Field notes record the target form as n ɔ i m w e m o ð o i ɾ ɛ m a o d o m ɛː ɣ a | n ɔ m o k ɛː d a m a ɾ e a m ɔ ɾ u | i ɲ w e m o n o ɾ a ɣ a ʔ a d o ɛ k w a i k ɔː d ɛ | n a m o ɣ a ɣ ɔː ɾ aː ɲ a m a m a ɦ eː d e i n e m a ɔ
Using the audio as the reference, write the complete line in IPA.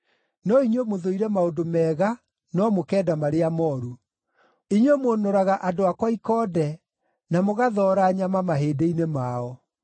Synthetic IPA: n ɔ i ɲ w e m o ð o i ɾ ɛ m a o d o m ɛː ɣ a | n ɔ m o k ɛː d a m a ɾ e a m ɔ ɾ u | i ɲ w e m o n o ɾ a ɣ a ʔ a d o a k w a i k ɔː d ɛ | n a m o ɣ a ð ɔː ɾ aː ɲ a m a m a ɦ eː d e i n e m a ɔ